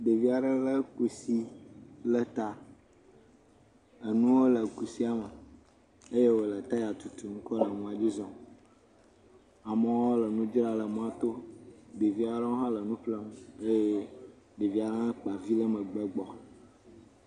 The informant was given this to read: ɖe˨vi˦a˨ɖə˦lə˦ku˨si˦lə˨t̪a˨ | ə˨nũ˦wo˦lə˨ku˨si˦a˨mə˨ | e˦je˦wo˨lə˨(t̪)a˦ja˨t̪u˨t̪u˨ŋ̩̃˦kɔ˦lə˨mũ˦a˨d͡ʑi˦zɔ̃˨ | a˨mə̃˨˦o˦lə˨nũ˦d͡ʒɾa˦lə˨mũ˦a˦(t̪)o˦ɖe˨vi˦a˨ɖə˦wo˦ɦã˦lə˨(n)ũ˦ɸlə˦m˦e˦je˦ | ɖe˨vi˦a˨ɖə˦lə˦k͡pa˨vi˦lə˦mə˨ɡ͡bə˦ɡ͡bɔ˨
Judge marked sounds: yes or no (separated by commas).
yes, yes, yes